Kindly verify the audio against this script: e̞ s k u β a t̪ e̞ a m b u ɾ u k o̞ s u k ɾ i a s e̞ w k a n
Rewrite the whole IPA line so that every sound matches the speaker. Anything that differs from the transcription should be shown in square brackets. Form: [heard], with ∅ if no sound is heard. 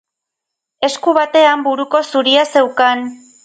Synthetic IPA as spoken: e̞ s k u β a t̪ e̞ a m b u ɾ u k o̞ s u [∅] ɾ i a s e̞ w k a n